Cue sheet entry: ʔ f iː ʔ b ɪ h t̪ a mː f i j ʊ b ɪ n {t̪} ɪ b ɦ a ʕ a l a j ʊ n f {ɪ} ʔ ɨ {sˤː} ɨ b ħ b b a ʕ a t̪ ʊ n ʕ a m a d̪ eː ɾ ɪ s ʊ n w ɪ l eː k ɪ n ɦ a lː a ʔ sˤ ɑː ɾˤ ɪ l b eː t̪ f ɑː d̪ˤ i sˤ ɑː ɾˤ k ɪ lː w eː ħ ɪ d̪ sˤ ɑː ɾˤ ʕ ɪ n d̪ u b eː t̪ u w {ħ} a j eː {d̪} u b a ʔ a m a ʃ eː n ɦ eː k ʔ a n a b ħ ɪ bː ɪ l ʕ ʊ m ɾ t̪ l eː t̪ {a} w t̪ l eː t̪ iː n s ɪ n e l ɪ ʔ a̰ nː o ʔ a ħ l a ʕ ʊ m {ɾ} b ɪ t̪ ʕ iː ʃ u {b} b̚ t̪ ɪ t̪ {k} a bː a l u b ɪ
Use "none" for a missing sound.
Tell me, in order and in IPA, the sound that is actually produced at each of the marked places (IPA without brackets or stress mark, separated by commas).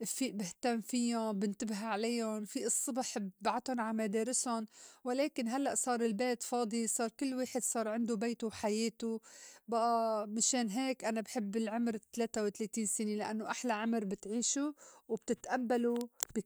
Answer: t̪, i, sˤː, ħ, t̪, a, ɾ, w, ʔ